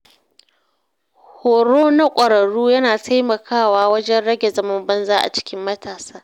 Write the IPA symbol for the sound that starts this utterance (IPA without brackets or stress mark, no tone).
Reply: h